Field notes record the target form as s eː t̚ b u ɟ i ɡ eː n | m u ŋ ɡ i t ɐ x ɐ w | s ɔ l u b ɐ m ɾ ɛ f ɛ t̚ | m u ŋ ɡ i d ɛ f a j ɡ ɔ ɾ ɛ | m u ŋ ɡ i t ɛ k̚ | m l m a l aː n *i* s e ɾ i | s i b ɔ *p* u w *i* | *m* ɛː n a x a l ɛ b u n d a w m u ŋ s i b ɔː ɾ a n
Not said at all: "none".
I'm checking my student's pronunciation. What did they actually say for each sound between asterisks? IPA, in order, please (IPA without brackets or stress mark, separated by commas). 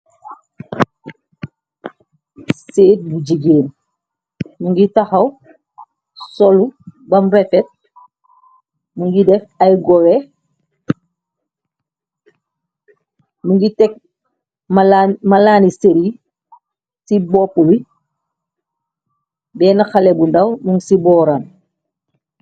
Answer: i, p, i, b